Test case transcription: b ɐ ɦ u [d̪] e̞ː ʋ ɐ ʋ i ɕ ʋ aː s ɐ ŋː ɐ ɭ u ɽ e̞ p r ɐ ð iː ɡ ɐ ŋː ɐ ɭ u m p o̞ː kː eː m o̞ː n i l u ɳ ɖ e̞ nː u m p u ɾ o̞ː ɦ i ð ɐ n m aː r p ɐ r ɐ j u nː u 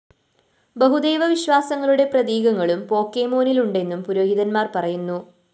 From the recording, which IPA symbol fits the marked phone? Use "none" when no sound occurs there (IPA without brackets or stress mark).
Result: d̪